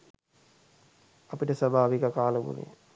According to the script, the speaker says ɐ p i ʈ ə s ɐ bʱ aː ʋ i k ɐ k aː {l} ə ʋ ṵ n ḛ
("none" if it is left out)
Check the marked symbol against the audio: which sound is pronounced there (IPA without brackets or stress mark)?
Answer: l